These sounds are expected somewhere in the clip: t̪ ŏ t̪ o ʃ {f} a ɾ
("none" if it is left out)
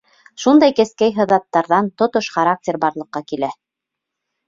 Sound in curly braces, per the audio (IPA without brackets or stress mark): χ